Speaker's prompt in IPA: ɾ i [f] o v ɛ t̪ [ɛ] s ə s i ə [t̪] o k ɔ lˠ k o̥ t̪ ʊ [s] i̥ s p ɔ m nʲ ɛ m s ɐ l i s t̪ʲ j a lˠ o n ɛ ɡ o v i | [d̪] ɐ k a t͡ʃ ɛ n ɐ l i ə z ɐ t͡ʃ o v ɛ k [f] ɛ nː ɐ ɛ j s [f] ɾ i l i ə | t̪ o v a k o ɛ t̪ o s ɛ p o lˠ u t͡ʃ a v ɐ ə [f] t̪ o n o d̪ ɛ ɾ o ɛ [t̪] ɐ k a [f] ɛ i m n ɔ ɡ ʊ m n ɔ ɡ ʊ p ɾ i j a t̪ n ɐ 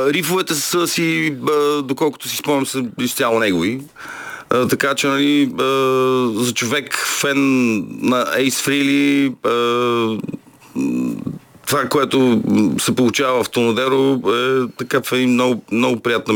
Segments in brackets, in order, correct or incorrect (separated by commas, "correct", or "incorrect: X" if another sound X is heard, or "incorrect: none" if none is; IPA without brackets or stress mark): correct, correct, incorrect: d̪, correct, incorrect: t̪, correct, correct, correct, correct, correct